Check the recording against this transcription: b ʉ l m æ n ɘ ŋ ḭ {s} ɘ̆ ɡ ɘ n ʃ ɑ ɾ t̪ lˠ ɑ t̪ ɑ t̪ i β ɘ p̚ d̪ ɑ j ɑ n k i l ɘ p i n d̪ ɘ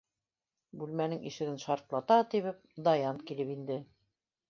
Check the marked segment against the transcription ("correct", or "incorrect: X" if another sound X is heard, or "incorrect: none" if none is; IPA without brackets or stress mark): incorrect: ʃ